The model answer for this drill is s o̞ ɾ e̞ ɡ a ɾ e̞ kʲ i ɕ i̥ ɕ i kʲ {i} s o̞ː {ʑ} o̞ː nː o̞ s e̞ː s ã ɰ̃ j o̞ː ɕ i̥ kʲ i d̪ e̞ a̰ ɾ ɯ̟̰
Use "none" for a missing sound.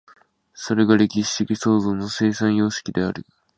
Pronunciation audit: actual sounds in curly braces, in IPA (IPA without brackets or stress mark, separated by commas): i, z